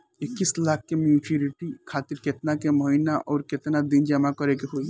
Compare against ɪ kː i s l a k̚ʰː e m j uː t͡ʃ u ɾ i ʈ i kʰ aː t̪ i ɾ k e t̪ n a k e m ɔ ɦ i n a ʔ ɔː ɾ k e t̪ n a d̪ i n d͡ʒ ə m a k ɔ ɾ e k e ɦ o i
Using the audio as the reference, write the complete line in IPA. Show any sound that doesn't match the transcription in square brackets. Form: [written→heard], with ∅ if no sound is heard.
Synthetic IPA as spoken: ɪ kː i s l a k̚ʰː e m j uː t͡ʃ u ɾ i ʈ i kʰ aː t̪ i ɾ k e t̪ n a k e m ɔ ɦ i n a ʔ ɔː ɾ k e t̪ n a d̪ i n d͡ʒ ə m a k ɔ ɾ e k e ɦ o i